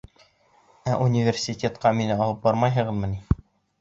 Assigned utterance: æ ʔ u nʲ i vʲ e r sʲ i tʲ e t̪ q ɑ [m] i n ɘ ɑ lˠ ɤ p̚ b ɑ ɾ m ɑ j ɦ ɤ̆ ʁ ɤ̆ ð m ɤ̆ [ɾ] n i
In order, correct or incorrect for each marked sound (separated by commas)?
correct, incorrect